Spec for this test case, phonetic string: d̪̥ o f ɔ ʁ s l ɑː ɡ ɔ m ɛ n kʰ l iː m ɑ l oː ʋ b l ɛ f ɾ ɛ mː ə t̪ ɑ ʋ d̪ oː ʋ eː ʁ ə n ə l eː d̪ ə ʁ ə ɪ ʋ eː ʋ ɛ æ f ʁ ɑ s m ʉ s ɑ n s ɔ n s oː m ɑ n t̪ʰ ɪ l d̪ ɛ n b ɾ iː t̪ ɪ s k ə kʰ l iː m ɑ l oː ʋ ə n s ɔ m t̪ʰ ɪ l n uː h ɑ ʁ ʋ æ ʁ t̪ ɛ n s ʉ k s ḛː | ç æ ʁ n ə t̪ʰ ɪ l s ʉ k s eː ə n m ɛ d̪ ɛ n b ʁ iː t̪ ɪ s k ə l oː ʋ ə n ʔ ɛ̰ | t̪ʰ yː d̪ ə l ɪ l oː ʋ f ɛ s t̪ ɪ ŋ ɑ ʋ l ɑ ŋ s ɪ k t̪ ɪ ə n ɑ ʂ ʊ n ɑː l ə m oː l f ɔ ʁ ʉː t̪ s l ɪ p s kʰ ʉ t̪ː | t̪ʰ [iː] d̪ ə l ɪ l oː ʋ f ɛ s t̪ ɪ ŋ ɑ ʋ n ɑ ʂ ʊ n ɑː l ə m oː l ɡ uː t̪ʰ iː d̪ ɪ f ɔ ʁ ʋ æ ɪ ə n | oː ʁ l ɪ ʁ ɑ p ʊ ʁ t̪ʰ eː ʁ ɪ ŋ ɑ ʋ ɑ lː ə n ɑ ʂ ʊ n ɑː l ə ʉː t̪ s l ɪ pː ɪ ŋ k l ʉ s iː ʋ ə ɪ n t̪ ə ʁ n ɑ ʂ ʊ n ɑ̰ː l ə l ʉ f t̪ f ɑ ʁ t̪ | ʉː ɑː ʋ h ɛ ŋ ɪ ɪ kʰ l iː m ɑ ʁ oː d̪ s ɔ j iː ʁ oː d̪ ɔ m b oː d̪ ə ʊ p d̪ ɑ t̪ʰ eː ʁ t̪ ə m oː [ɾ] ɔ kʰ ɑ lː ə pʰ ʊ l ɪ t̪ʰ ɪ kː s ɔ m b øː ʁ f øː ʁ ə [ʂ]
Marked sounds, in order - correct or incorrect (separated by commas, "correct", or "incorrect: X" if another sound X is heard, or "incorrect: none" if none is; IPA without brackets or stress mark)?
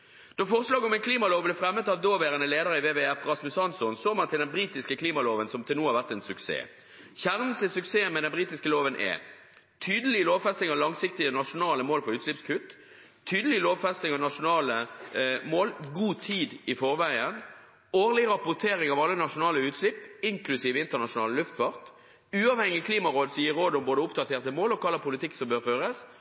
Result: incorrect: yː, incorrect: l, incorrect: s